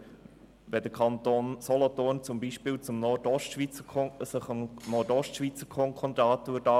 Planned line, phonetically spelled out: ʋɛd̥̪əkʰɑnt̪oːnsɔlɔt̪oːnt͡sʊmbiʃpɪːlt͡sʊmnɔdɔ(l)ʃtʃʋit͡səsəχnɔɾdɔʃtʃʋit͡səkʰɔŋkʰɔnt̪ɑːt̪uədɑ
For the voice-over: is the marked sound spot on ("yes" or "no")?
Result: no